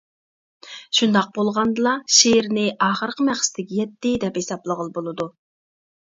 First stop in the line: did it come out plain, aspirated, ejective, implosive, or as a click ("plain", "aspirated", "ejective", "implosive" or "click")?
plain